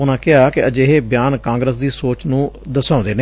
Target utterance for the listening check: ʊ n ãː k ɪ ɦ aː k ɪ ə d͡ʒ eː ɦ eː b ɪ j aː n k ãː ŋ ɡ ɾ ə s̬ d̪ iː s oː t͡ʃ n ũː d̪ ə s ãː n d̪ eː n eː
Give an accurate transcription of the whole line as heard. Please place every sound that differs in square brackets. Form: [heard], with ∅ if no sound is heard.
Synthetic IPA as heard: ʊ n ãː k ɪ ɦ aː k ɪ ə d͡ʒ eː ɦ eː b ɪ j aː n k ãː ŋ ɡ ɾ ə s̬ d̪ iː s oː t͡ʃ n ũː d̪ ə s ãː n d̪ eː n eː